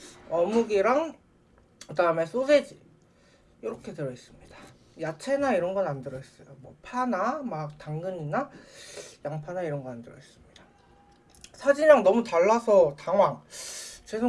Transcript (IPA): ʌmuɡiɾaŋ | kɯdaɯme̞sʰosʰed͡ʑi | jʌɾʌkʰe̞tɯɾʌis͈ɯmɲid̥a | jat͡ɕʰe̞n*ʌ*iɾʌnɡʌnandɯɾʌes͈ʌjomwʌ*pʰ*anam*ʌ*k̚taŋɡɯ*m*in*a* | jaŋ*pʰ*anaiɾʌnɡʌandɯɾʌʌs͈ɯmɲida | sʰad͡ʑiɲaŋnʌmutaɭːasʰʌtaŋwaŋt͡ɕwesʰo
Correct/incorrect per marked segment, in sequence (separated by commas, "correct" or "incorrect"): incorrect, correct, incorrect, incorrect, correct, correct